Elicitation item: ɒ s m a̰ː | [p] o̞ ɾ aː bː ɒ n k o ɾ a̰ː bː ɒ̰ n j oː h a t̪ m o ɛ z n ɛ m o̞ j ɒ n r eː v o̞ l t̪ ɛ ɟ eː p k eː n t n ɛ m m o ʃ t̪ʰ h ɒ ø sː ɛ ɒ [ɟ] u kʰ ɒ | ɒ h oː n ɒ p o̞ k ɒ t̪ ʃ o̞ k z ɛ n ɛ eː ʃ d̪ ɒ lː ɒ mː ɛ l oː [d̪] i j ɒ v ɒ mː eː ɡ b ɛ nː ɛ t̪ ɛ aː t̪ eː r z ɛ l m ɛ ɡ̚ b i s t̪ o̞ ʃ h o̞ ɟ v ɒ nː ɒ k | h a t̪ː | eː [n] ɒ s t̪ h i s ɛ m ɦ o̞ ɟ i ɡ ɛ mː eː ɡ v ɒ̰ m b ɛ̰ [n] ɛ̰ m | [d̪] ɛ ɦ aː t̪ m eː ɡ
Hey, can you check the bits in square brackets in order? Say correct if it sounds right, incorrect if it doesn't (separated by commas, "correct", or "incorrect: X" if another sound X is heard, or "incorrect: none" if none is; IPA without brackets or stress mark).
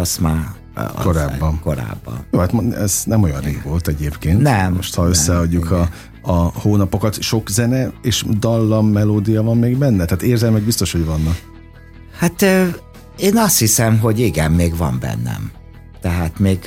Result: incorrect: k, incorrect: ɟː, correct, correct, incorrect: nː, incorrect: t̪